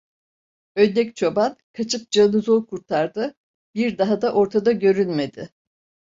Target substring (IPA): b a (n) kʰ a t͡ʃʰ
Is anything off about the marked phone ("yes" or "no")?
no